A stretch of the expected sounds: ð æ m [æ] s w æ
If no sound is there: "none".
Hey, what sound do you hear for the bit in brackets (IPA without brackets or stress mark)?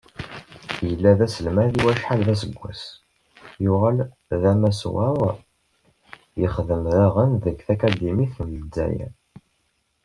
æ